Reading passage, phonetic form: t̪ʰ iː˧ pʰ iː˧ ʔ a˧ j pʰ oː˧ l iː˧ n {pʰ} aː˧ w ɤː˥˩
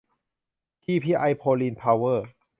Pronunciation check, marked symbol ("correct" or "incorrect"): correct